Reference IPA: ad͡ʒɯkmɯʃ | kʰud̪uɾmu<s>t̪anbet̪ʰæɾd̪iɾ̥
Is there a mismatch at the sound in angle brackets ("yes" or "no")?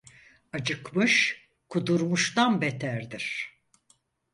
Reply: yes